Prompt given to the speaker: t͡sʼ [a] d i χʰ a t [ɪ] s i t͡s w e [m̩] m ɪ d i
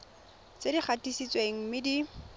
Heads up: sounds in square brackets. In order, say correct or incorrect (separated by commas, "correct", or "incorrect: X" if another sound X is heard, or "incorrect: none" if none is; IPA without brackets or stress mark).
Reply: incorrect: e, incorrect: i, incorrect: ŋ̩